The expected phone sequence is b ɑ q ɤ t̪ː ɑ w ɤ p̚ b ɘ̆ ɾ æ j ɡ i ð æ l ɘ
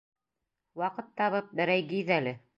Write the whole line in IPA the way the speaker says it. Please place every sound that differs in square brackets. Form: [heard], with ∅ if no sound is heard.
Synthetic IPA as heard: [w] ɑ q ɤ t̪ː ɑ [β] ɤ p̚ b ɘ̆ ɾ æ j ɡ i ð æ l ɘ